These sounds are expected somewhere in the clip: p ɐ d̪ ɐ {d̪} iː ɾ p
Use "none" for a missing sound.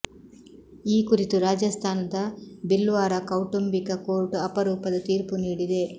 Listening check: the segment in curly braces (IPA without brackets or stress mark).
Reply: t̪